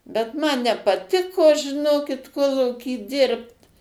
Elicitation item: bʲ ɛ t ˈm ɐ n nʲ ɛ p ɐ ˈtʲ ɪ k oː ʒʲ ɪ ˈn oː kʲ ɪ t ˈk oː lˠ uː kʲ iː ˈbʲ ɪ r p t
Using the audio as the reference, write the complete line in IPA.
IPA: bʲ ɛ t ˈm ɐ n nʲ ɛ p ɐ ˈtʲ ɪ k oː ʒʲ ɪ ˈn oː kʲ ɪ t ˈk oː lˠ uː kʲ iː ˈdʲ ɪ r p t